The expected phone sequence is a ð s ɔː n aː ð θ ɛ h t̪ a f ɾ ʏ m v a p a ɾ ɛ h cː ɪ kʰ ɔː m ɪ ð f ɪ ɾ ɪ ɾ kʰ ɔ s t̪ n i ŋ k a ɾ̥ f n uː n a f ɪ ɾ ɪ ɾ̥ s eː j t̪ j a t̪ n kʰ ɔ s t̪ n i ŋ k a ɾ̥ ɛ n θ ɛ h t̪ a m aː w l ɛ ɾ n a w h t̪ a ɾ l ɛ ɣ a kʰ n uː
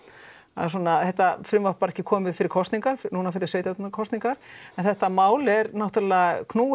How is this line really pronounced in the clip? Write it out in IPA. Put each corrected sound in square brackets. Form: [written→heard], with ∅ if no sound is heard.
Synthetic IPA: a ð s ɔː n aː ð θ ɛ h t̪ a f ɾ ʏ m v a p a ɾ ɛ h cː ɪ kʰ ɔː m ɪ ð f ɪ ɾ ɪ ɾ kʰ ɔ s t̪ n i ŋ k a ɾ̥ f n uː n a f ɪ ɾ ɪ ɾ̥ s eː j t̪ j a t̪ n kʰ ɔ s t̪ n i ŋ k a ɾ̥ ɛ n θ ɛ h t̪ a m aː w l ɛ ɾ n a w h t̪ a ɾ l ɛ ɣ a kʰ n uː